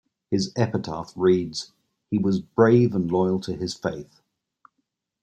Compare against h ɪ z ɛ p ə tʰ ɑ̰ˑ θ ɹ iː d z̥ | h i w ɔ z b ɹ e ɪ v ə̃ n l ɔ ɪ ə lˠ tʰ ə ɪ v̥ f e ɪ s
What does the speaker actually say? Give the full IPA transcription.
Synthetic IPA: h ɪ z ɛ p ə tʰ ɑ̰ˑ θ ɹ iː d z̥ | h i w ɒ z b ɹ e ɪ v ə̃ n l ɔ ɪ ə lˠ tʰ ə ɪ z̥ f e ɪ θ